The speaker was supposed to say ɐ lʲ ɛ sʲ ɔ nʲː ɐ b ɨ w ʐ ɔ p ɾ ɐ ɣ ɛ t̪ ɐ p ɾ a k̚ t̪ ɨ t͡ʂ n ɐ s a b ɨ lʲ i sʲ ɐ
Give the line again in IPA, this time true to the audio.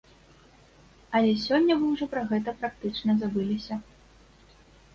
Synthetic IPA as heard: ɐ lʲ ɛ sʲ ɔ nʲː ɐ v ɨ w ʐ ɔ p ɾ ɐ ɣ ɛ t̪ ɐ p ɾ a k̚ t̪ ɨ t͡ʂ n ɐ z a b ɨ lʲ i sʲ ɐ